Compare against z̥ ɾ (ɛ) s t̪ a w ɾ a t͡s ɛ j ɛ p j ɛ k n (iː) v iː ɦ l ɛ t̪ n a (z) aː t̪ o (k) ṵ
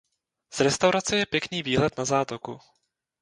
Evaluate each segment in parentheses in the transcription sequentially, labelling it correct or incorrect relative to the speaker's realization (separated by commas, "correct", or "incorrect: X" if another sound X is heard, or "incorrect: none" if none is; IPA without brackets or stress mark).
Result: correct, correct, correct, correct